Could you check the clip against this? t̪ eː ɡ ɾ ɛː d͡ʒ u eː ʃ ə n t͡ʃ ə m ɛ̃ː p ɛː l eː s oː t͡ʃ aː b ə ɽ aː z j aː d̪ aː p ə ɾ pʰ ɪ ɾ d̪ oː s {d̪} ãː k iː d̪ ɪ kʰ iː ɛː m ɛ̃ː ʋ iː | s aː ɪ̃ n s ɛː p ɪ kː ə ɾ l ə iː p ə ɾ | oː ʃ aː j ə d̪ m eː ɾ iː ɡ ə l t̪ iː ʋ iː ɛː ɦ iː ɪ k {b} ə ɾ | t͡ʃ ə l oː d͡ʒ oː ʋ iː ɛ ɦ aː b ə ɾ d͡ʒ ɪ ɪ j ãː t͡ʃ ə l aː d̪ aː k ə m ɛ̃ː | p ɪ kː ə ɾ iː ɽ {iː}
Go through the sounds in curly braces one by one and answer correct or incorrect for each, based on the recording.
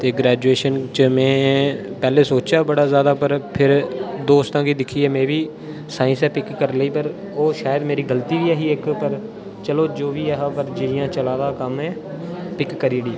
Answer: incorrect, incorrect, correct

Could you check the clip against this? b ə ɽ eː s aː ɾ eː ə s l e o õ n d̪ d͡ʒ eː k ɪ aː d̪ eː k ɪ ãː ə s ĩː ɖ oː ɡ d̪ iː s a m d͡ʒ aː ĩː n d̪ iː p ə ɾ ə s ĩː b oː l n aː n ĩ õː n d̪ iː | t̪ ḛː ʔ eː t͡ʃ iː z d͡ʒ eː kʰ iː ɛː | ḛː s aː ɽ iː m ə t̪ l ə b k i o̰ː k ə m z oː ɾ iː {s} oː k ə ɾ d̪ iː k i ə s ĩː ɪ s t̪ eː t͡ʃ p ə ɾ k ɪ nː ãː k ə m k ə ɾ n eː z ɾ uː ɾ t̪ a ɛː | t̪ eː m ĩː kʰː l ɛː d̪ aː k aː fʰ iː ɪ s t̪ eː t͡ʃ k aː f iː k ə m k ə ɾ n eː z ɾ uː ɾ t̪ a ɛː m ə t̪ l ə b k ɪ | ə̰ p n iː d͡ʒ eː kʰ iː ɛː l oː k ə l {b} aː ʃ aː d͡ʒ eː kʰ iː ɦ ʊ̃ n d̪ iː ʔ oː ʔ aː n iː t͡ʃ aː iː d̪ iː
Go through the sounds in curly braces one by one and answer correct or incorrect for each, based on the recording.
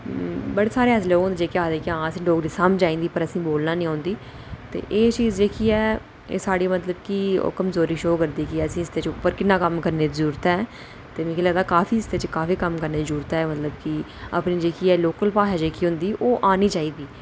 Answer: incorrect, incorrect

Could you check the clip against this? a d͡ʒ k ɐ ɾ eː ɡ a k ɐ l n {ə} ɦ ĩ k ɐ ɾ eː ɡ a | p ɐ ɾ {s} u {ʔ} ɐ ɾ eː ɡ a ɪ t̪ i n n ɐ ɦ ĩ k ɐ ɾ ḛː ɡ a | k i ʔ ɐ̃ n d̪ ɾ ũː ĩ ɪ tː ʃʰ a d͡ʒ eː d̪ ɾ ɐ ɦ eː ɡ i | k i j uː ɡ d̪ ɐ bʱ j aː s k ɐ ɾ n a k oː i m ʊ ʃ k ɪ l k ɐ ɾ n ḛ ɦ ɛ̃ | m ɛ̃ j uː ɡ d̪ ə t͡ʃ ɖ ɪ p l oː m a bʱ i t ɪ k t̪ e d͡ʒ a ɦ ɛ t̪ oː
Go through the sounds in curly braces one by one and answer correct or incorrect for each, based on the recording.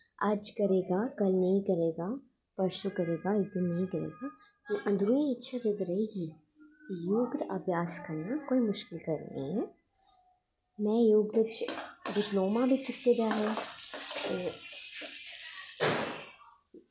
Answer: incorrect, incorrect, incorrect

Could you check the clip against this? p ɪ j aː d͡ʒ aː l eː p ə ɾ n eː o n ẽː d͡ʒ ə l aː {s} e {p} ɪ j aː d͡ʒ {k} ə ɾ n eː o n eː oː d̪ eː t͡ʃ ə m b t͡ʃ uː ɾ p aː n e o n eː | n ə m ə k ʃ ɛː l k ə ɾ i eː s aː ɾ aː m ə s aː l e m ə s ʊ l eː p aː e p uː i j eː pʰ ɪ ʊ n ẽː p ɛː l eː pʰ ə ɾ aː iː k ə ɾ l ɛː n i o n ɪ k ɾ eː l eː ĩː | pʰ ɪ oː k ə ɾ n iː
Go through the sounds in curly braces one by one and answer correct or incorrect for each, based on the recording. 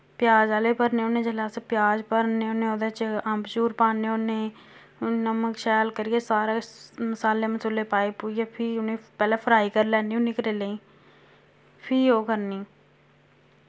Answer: correct, correct, incorrect

